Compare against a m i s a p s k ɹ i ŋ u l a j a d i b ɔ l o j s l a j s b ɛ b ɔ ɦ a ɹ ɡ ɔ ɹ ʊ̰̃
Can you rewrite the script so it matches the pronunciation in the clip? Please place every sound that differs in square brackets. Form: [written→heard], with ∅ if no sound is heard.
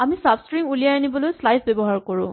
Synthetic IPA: a m i s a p s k ɹ i ŋ u l [a→i] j a [d→n] i b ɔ l o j s l a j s b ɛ b ɔ ɦ a ɹ [ɡ→k] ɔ ɹ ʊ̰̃